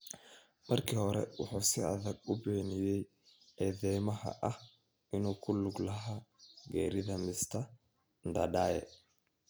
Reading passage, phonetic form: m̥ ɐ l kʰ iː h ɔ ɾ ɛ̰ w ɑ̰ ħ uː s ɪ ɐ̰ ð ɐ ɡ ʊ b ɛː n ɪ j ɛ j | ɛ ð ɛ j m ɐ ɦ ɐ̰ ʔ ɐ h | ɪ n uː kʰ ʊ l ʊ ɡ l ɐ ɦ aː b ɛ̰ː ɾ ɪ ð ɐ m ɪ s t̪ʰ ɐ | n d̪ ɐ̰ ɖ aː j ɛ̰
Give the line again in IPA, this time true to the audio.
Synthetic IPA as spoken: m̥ ɐ r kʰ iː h ɔ ɾ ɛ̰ w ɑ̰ ħ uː s ɪ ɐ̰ ð ɐ ɡ ʊ b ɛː n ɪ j ɛ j | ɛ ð ɛ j m ɐ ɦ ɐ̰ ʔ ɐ h | ɪ n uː kʰ ʊ l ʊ ɡ l ɐ ɦ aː ɡ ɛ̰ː ɾ ɪ ð ɐ m ɪ s t̪ʰ ɐ | n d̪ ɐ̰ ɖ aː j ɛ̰